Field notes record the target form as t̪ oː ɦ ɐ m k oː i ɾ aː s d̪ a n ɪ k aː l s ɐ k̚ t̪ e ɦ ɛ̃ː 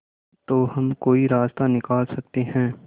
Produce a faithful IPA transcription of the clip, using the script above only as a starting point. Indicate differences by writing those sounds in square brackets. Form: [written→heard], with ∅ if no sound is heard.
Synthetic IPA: t̪ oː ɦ ɐ m k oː i ɾ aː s [d̪→t̪] a n ɪ k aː l s ɐ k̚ t̪ e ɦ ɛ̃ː